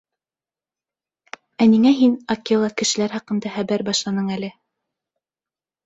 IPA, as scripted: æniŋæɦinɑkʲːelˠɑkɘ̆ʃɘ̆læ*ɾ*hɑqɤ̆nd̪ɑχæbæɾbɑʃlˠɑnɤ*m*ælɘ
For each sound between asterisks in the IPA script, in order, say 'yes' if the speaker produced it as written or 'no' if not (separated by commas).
yes, no